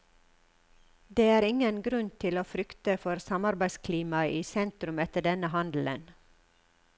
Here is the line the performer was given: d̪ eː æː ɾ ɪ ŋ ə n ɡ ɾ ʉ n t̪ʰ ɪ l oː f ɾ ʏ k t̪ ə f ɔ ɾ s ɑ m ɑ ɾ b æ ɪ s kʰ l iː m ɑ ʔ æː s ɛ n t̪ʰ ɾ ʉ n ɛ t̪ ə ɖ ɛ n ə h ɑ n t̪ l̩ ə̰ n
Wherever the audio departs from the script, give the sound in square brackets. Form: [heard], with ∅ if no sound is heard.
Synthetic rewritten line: d̪ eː æː ɾ ɪ ŋ ə n ɡ ɾ ʉ n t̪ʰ ɪ l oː f ɾ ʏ k t̪ ə f ɔ ɾ s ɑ m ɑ ɾ b æ ɪ s kʰ l iː m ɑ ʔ [iː] s ɛ n [t̪] ɾ ʉ [m] ɛ t̪ ə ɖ ɛ n ə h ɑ n [d̪] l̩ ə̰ n